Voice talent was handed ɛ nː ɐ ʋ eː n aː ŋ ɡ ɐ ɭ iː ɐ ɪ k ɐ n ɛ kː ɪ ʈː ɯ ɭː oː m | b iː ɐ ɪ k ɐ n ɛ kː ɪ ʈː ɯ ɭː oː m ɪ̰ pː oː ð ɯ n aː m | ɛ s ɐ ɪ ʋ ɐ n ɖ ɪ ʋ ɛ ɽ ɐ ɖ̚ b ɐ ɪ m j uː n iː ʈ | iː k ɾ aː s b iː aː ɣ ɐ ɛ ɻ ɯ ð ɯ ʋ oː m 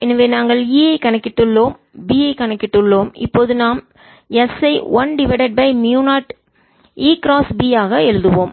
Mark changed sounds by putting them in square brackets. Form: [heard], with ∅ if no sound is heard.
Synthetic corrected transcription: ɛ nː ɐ ʋ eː n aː ŋ ɡ ɐ ɭ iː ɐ ɪ k ɐ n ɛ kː ɪ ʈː ɯ ɭː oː m | b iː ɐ ɪ k ɐ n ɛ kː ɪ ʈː ɯ ɭː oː m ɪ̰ pː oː ð ɯ n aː m | ɛ s ɐ ɪ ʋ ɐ n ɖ ɪ ʋ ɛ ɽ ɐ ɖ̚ b ɐ ɪ m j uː n [aː] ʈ | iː k ɾ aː s b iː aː ɣ ɐ ɛ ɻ ɯ ð ɯ ʋ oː m